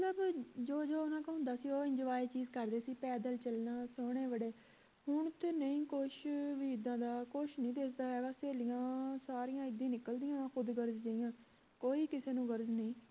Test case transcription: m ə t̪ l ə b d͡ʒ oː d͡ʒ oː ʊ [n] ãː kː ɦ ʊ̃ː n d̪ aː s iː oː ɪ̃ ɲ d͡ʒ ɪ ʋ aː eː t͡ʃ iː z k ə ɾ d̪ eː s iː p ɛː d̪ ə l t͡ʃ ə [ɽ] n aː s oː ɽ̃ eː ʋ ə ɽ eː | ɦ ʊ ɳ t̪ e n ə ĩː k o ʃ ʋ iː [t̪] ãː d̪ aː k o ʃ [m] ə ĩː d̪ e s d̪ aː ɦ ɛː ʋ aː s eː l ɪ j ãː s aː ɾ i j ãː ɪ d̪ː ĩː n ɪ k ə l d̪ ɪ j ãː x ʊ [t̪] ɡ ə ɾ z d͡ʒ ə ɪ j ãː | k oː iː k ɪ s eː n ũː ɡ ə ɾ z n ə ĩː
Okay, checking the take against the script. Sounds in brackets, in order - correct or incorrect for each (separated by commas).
correct, incorrect, incorrect, incorrect, incorrect